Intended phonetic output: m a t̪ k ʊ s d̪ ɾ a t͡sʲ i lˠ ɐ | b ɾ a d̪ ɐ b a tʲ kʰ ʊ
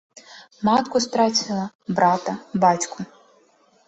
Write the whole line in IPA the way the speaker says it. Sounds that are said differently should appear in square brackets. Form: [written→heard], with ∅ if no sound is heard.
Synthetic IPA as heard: m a t̪ k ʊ s [d̪→t̪] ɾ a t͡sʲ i lˠ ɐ | b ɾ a [d̪→t̪] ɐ b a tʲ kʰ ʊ

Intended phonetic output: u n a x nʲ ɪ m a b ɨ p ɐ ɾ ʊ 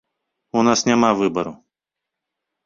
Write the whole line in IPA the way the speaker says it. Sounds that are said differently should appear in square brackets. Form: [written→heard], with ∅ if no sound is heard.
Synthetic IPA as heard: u n a [x→s] nʲ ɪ m a [b→v] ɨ [p→b] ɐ ɾ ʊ

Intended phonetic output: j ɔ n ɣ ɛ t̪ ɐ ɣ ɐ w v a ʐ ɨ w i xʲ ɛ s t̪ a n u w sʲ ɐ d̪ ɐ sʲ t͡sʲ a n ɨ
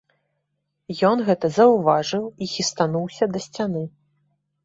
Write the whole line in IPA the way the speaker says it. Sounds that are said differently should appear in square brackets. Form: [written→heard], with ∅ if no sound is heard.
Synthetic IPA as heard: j ɔ n ɣ ɛ t̪ ɐ [ɣ→z] ɐ w v a ʐ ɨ w i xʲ [ɛ→i] s t̪ a n u w sʲ ɐ d̪ ɐ sʲ t͡sʲ a n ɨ

